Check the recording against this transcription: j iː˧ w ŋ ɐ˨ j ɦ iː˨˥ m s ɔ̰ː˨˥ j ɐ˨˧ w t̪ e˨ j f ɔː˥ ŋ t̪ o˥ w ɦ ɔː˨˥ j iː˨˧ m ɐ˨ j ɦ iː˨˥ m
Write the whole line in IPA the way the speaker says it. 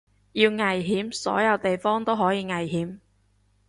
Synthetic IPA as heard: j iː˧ w ŋ ɐ˨ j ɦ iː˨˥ m s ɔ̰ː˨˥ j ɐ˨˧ w t̪ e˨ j f ɔː˥ ŋ t̪ o˥ w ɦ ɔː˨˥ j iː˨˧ ŋ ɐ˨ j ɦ iː˨˥ m